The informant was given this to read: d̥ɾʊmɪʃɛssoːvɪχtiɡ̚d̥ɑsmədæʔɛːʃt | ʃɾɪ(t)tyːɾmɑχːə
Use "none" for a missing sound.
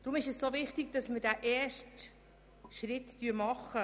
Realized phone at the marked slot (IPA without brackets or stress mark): t